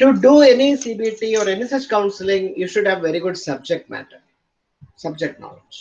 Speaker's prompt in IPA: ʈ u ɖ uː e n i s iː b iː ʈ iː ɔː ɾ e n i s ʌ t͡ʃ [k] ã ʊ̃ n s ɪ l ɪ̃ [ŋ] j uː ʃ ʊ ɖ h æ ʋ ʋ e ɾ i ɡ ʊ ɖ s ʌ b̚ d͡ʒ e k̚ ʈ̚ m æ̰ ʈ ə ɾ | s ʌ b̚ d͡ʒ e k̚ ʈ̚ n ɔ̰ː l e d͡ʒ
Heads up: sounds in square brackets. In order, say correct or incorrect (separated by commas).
correct, correct